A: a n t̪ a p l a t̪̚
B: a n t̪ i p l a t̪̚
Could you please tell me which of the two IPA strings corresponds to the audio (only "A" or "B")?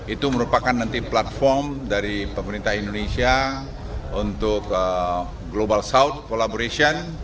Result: B